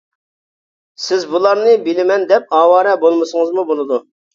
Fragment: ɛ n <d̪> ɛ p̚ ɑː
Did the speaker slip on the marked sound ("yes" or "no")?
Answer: no